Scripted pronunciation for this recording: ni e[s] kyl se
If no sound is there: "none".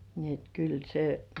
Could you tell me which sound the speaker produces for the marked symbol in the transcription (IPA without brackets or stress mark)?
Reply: t